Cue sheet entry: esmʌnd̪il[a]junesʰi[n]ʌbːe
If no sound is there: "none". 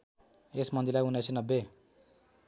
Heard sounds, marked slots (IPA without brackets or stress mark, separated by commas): a, n